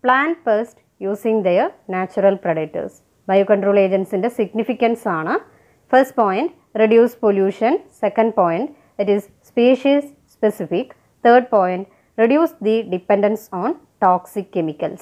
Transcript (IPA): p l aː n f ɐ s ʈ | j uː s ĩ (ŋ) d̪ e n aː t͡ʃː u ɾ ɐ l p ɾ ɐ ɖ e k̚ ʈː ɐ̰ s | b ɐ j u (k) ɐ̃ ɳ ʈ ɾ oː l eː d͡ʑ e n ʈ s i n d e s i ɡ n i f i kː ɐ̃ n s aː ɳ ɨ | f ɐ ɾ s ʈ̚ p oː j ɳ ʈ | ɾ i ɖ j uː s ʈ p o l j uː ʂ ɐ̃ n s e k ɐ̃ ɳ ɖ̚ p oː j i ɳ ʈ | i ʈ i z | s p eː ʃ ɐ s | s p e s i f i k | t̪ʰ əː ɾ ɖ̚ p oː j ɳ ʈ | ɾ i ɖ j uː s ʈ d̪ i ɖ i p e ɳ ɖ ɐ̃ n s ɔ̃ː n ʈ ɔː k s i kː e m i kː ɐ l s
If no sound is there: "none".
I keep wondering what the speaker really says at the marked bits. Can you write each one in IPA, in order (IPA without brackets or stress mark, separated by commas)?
ŋ, k